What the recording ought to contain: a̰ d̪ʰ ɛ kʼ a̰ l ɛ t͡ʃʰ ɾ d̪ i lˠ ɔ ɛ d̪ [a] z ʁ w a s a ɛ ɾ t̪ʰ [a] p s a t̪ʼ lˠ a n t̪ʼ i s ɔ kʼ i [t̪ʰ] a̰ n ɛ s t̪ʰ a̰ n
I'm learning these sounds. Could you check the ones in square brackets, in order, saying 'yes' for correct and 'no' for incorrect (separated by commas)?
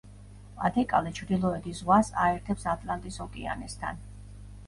no, no, no